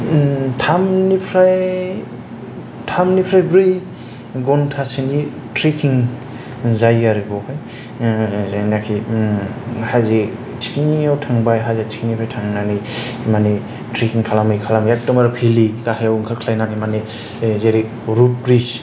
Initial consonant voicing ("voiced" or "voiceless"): voiceless